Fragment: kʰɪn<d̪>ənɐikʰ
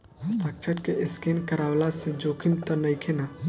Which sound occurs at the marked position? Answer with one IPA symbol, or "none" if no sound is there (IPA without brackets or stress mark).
t̪